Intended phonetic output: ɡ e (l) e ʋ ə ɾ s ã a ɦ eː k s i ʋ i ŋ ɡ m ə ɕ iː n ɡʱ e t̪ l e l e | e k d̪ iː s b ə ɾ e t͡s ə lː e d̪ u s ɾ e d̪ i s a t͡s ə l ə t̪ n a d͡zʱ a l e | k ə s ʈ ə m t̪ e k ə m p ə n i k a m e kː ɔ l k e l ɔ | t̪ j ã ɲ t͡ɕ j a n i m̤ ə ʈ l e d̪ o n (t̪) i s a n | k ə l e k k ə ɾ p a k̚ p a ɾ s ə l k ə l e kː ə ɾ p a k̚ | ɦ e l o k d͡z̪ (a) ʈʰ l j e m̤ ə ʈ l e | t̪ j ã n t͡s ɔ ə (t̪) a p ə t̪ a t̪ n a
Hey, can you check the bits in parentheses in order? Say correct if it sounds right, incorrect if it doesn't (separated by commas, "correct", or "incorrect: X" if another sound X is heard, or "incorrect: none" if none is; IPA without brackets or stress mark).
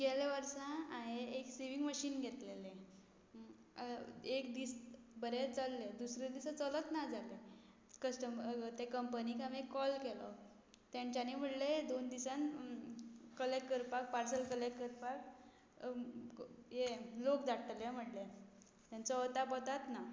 correct, incorrect: d̪, correct, correct